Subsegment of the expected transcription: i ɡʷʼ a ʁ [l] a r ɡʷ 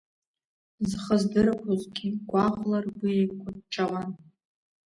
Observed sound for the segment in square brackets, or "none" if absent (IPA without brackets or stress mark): l